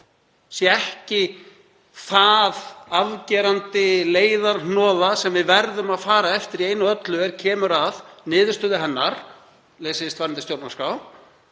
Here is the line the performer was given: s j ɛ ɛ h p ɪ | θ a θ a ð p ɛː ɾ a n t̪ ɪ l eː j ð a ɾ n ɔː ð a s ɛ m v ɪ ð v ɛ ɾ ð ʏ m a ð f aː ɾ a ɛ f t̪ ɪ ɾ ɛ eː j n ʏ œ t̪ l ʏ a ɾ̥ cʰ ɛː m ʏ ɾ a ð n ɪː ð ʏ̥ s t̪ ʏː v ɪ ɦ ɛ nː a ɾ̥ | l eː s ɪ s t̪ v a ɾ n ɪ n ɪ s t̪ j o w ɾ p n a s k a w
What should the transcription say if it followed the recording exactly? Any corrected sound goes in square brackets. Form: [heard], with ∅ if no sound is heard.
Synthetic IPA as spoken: s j ɛ ɛ h [c] ɪ | θ a [ð] a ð [c] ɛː ɾ a n t̪ ɪ l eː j ð a ɾ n ɔː ð a s ɛ m v ɪ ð v ɛ ɾ ð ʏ m a ð f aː ɾ a ɛ f t̪ ɪ ɾ [i] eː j n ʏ œ t̪ l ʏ [ɛ] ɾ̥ cʰ ɛː m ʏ ɾ a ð n ɪː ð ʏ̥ s t̪ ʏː [ð] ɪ ɦ ɛ nː a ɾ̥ | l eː s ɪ s t̪ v a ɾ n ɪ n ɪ s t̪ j o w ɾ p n a s k a w